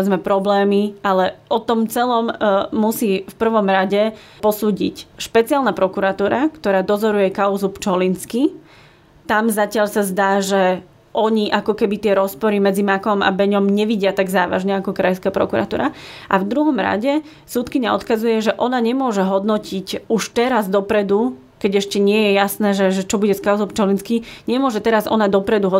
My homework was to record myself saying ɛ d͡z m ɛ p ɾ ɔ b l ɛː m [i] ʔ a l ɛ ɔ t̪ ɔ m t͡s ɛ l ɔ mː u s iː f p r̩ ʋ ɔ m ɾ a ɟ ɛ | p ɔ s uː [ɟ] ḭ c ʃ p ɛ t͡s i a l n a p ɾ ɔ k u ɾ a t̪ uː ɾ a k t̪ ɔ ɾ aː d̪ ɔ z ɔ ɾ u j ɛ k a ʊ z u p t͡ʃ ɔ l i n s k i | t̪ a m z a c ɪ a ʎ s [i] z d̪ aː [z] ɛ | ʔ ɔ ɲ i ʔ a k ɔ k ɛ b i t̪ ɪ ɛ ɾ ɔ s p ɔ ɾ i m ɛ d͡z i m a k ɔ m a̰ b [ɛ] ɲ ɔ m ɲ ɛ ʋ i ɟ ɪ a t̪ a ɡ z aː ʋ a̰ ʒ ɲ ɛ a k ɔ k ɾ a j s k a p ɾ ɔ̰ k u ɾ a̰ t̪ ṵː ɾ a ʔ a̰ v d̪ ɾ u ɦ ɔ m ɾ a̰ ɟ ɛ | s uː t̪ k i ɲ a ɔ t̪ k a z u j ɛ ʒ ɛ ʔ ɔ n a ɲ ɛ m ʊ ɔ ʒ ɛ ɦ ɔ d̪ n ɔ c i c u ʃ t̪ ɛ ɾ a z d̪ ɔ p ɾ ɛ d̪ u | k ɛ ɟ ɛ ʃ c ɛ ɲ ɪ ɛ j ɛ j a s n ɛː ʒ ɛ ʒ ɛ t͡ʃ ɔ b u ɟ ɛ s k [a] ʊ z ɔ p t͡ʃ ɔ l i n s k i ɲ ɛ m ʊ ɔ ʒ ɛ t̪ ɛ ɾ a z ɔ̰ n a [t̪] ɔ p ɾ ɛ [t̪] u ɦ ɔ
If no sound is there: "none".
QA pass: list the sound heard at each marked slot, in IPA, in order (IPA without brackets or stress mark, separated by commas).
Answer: i, ɟ, a, ʒ, ɛ, a, d̪, d̪